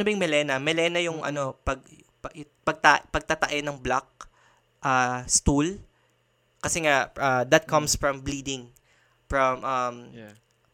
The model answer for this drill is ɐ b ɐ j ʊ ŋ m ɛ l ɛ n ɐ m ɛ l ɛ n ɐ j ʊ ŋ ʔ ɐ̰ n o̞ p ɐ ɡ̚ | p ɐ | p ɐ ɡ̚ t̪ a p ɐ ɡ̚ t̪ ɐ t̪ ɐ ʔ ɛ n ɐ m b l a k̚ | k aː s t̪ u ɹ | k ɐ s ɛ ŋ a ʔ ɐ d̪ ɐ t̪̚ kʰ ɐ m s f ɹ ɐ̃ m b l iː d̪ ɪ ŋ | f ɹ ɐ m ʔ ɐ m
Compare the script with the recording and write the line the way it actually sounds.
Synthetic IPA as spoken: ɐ b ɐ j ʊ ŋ m ɛ l ɛ n ɐ m ɛ l ɛ n ɐ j ʊ ŋ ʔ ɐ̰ n o̞ p ɐ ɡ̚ | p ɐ | p ɐ ɡ̚ t̪ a p ɐ ɡ̚ t̪ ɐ t̪ ɐ ʔ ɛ n ɐ ŋ b l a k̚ | ʔ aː s t̪ u l | k ɐ s ɛ ŋ a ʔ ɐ d̪ ɐ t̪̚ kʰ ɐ m s f ɹ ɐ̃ m b l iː d̪ ɪ ŋ | f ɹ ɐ m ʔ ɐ m